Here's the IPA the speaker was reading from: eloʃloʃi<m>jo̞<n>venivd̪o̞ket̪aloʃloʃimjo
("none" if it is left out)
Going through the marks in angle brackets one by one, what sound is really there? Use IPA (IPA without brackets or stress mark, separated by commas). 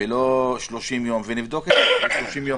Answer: m, m